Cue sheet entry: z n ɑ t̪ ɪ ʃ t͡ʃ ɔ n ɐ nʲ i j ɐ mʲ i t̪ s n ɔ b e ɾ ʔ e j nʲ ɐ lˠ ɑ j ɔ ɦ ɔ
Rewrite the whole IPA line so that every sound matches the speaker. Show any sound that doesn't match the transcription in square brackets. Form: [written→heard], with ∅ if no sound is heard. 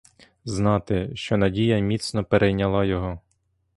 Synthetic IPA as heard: z n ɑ t̪ ɪ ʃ t͡ʃ ɔ n ɐ [nʲ→dʲ] i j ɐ mʲ i t̪ s n ɔ [b→p] e ɾ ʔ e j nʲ ɐ lˠ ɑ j ɔ ɦ ɔ